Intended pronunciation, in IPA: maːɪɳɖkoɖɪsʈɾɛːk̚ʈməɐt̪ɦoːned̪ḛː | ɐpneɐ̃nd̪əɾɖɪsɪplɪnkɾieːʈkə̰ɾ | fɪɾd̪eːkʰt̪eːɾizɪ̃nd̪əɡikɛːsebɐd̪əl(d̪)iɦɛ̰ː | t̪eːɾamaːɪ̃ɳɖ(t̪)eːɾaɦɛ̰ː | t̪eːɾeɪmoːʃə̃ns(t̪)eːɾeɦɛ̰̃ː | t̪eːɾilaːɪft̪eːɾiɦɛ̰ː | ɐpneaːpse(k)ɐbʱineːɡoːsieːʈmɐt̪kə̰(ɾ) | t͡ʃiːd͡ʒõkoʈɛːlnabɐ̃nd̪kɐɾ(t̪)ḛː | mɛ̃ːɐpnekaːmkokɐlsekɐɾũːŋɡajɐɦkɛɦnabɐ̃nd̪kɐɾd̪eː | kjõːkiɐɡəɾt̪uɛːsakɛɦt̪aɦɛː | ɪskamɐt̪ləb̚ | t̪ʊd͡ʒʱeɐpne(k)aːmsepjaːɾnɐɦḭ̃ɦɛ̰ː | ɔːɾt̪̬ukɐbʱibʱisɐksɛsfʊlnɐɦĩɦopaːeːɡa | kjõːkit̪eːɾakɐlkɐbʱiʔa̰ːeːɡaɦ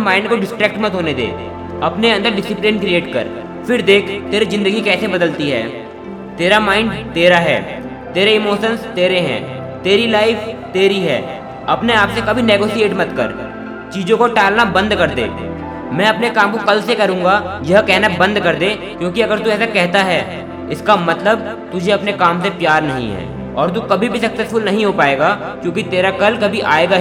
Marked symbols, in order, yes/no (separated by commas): no, yes, yes, yes, yes, no, yes